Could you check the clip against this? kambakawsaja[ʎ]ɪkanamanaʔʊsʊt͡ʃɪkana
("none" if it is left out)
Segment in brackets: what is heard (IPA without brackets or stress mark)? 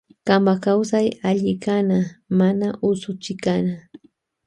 ʎ